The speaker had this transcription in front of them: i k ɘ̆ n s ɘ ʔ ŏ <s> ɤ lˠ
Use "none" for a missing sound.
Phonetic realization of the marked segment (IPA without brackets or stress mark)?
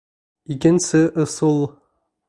s